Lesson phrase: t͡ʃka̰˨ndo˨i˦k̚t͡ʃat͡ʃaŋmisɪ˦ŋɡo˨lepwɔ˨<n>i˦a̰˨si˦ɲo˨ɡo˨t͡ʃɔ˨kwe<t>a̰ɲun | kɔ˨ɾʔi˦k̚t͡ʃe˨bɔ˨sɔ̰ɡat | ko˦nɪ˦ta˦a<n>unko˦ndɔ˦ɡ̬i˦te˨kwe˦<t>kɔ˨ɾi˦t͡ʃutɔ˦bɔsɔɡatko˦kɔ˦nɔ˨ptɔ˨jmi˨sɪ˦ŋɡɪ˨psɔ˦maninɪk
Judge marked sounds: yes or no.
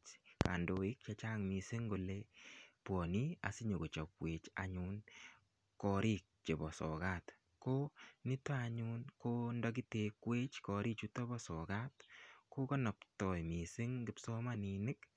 yes, no, no, no

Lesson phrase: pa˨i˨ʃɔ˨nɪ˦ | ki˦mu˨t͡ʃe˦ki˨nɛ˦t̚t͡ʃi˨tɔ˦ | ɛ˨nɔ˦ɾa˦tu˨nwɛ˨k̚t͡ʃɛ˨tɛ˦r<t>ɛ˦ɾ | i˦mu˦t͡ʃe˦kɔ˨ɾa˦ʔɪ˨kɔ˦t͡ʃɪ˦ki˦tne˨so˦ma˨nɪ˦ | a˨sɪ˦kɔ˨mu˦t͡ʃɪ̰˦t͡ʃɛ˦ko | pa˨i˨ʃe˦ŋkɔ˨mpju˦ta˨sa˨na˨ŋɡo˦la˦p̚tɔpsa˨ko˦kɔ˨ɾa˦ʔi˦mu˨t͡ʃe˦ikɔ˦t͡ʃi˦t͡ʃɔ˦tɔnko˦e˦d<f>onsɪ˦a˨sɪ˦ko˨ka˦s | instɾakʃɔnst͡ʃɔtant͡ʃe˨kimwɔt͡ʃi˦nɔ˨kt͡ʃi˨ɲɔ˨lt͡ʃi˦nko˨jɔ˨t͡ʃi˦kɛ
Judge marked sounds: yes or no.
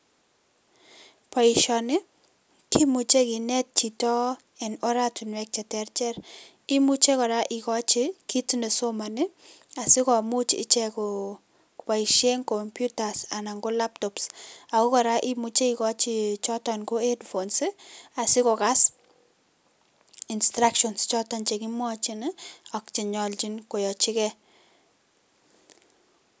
no, yes

